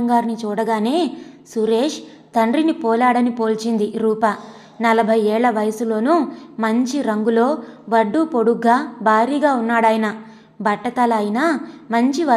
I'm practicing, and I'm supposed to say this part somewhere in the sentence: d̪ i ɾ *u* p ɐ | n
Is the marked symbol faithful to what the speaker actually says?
no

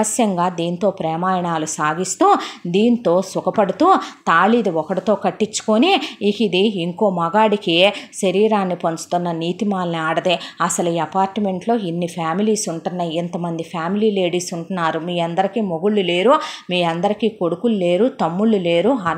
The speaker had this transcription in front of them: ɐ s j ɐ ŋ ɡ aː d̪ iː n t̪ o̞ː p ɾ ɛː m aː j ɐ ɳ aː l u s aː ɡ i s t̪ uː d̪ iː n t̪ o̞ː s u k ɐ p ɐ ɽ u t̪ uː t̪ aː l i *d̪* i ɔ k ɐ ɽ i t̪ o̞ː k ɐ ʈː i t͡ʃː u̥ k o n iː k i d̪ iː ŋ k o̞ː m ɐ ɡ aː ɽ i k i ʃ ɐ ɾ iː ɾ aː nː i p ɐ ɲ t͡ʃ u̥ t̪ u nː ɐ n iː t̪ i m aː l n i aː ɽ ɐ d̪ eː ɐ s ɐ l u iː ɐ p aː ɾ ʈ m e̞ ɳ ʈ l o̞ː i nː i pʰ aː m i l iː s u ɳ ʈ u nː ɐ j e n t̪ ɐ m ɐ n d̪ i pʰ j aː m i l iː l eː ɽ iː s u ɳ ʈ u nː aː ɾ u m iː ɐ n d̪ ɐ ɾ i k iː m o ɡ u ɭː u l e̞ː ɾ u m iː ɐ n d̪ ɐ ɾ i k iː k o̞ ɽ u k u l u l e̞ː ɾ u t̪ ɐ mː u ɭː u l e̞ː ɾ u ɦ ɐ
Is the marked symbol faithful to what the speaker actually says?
yes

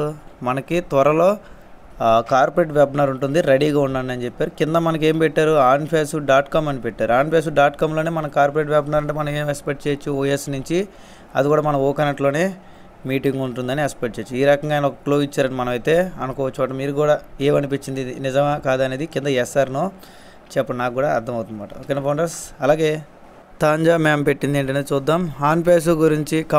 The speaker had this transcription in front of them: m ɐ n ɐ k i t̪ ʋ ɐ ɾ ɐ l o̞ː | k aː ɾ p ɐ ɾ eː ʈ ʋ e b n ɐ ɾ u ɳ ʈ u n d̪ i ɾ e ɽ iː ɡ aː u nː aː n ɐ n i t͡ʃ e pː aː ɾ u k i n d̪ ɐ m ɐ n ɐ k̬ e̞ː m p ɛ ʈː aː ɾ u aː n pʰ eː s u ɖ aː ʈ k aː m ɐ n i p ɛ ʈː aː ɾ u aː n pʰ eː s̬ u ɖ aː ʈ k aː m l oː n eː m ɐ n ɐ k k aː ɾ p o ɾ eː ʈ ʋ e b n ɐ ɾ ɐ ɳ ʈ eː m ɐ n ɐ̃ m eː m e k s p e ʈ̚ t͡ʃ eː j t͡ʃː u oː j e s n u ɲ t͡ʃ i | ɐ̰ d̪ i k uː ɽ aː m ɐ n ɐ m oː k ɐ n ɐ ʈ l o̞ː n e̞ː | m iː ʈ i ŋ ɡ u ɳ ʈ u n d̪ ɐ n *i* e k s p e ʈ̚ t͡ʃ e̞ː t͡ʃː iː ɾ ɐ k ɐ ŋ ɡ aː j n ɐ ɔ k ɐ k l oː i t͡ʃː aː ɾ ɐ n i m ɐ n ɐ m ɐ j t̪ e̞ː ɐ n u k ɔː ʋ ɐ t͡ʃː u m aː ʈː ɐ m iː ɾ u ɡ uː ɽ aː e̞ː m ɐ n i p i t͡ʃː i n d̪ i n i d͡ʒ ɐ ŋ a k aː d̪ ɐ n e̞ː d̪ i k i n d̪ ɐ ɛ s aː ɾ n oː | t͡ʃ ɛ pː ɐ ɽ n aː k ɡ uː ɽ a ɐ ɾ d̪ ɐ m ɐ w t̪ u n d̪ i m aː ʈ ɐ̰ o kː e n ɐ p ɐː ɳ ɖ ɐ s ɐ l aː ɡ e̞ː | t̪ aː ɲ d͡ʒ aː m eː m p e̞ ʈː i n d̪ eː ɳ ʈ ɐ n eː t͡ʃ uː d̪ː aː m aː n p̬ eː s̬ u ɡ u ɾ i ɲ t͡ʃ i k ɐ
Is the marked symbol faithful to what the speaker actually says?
yes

